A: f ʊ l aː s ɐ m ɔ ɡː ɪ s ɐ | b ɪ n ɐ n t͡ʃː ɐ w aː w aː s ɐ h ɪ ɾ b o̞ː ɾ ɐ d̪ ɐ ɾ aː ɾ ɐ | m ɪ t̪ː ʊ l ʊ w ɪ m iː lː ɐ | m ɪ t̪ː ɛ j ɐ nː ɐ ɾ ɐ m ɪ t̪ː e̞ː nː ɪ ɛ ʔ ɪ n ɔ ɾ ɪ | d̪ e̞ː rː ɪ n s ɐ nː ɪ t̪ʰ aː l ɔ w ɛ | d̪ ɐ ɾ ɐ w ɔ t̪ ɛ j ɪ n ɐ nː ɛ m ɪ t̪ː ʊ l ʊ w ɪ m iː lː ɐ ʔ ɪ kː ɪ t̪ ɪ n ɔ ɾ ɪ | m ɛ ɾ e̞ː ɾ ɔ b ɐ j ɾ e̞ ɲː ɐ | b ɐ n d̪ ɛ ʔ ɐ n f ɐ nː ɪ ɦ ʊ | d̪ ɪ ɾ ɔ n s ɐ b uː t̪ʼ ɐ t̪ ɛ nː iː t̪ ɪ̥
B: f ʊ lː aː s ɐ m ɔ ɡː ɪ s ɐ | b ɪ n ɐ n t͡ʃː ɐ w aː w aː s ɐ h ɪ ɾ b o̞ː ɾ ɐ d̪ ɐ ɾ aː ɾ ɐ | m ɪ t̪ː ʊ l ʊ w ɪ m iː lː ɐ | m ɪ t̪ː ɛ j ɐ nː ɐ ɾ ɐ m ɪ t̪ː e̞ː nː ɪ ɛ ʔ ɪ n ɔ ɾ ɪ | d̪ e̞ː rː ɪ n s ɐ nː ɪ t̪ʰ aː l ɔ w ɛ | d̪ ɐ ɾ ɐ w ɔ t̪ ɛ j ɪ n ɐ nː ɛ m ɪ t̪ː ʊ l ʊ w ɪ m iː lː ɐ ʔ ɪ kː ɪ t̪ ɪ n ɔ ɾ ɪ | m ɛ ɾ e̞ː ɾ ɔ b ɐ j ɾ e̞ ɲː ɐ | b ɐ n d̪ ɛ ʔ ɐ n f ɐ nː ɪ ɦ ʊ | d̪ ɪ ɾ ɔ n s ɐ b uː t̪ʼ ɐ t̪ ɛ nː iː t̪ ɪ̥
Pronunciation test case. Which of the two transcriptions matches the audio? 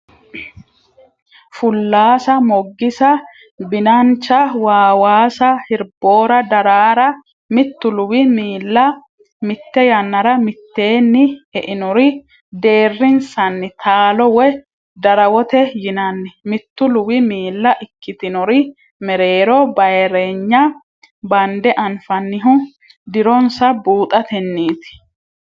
B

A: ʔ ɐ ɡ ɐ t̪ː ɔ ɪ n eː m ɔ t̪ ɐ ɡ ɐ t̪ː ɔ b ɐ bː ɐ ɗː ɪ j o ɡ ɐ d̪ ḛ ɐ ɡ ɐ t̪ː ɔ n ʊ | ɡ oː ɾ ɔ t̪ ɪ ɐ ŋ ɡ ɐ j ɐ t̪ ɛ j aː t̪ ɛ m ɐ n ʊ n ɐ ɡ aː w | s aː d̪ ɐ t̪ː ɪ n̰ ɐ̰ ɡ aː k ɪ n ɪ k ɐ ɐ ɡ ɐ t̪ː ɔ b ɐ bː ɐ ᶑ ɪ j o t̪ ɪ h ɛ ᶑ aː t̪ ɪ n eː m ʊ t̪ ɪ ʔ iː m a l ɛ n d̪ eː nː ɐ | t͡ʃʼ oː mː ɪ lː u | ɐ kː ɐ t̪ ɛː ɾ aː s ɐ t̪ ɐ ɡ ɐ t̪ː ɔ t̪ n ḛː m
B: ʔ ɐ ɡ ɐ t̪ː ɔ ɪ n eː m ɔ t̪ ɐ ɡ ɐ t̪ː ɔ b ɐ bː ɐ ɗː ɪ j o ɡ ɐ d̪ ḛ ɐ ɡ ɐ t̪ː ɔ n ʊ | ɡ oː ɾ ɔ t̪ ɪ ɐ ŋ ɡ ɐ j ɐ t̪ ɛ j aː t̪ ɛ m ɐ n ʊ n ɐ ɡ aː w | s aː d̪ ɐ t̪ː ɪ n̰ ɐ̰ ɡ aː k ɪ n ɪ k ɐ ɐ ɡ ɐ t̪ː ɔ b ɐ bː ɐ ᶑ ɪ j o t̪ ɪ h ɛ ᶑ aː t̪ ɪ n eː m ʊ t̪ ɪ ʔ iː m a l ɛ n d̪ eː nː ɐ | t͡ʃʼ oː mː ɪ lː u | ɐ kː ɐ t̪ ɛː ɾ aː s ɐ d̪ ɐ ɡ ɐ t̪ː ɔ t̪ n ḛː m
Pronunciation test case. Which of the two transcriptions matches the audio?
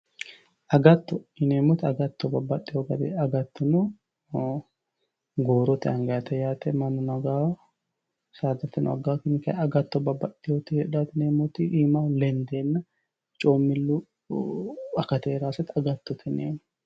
A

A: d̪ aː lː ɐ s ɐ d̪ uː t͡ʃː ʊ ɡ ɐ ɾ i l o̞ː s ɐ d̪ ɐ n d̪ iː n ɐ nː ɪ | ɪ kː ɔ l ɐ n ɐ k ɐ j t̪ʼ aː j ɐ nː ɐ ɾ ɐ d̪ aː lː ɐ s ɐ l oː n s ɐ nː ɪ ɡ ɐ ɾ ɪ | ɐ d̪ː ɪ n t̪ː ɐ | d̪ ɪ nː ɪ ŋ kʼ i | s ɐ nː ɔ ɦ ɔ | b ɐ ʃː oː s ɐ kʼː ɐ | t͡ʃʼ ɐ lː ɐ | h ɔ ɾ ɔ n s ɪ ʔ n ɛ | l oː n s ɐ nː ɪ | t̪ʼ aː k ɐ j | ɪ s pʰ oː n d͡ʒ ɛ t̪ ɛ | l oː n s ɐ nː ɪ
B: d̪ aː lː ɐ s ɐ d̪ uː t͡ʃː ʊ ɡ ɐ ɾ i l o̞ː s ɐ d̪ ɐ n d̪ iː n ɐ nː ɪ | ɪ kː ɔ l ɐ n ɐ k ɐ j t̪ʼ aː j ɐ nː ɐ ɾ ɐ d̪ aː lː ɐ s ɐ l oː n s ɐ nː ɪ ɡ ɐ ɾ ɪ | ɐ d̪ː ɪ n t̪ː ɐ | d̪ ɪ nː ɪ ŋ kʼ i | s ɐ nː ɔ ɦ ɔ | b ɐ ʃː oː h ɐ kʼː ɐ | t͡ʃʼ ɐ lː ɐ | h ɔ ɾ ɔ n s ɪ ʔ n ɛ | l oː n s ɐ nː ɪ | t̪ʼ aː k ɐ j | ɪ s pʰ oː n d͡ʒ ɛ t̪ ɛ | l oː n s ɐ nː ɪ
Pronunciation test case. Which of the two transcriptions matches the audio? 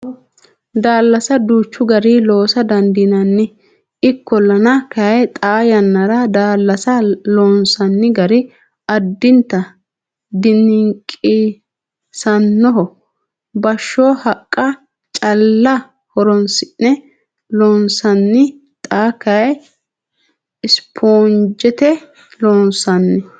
B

